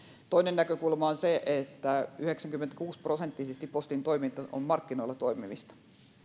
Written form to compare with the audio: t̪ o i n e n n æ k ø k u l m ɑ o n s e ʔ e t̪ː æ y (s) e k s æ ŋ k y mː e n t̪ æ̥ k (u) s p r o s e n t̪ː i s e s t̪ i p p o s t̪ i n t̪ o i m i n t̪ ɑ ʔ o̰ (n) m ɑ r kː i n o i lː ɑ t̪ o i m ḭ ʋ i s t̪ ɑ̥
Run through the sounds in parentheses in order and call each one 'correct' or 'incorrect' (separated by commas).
incorrect, incorrect, incorrect